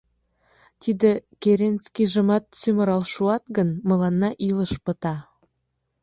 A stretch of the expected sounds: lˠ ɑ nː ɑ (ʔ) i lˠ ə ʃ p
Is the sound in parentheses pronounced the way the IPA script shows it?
yes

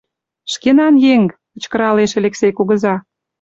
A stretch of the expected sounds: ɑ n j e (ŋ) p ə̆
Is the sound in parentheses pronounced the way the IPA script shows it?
yes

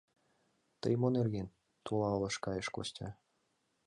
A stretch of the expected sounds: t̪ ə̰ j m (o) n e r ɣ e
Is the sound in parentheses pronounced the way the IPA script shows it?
yes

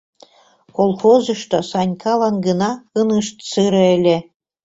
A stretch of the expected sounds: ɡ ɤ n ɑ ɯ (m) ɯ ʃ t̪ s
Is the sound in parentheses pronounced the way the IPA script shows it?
no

